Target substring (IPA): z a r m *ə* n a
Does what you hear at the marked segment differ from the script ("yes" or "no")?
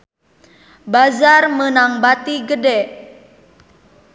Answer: no